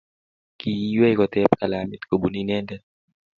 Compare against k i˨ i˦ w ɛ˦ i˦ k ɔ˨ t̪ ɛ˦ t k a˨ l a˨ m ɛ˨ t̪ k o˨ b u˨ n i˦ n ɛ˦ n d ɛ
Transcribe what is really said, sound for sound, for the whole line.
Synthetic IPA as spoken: k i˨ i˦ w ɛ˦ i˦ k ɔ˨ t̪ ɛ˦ p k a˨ l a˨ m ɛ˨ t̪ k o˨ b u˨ n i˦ n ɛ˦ n d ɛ

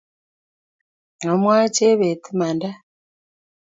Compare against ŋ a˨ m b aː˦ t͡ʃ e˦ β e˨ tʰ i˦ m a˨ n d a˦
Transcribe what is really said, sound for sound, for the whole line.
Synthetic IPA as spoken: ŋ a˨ m w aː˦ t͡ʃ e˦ β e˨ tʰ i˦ m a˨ n d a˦

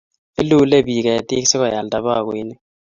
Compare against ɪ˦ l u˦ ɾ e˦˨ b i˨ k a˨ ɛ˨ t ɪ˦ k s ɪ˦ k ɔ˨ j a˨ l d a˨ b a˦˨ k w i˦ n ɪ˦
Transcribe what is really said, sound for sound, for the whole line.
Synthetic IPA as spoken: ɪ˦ l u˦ l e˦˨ b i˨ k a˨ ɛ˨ t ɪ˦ k s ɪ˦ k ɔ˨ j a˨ l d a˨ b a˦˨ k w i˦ n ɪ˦

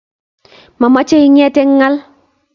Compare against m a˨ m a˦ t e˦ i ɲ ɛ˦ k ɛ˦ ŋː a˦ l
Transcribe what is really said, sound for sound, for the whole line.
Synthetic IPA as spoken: m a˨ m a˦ t͡ʃ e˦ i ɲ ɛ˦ t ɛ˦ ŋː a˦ l

